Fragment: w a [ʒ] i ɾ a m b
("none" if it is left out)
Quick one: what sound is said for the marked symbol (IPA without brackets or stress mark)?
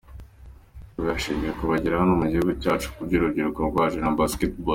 ʒ